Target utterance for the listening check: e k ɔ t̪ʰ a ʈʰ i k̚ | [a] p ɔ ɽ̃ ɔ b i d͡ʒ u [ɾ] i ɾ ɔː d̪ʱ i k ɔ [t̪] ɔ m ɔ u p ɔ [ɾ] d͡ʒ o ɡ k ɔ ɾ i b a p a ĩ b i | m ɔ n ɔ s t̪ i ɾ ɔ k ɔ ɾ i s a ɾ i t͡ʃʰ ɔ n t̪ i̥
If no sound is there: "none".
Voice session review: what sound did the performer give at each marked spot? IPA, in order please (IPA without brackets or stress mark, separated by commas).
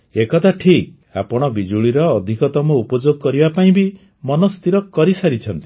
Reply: a, ɭ, t̪, none